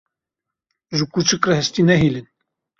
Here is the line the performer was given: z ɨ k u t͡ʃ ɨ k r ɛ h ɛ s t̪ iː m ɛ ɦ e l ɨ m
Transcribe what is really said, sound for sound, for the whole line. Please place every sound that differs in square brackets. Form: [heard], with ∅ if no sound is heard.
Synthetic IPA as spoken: [ʒ] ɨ k u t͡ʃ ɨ k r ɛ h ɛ s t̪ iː [n] ɛ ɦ [i] l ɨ [n]